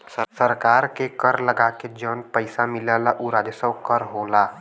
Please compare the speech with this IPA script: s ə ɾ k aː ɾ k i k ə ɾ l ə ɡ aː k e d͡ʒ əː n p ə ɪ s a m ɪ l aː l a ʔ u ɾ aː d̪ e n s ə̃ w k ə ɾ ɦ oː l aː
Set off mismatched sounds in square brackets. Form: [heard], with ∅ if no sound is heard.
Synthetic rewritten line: s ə ɾ k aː ɾ k [e] k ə ɾ l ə ɡ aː k e d͡ʒ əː n p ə ɪ s a m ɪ l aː l a ʔ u ɾ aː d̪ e [∅] s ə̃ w k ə ɾ ɦ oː l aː